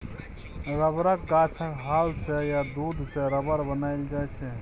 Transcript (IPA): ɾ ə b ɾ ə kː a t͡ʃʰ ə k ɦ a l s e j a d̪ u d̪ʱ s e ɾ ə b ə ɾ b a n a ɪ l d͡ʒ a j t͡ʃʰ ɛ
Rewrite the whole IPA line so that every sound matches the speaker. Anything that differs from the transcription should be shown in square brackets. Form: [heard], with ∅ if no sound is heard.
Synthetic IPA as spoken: ɾ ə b ɾ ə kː a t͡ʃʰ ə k ɦ a l s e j a d̪ u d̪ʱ s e ɾ ə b ə ɾ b [ə] n a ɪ l d͡ʒ a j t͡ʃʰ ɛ